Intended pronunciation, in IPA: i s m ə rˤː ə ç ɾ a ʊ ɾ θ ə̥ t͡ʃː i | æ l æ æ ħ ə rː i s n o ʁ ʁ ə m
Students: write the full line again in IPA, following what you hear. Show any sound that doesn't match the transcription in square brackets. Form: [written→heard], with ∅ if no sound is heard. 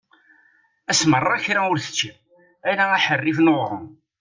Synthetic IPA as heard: [i→æ] s m ə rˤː [ə→ɑ] ç ɾ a ʊ ɾ θ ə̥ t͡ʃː i | æ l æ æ ħ ə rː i [s→f] n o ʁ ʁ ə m